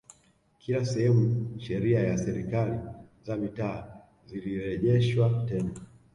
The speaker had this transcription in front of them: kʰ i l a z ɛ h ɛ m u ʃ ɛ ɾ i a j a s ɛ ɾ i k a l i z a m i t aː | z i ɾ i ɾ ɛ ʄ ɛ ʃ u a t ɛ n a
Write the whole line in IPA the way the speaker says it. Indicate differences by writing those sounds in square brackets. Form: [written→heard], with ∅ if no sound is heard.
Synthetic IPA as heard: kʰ i l a [z→s] ɛ h ɛ m u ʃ ɛ ɾ i a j a s ɛ ɾ i k a l i z a m i t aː | z i [ɾ→l] i ɾ ɛ ʄ ɛ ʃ [u→w] a t ɛ n a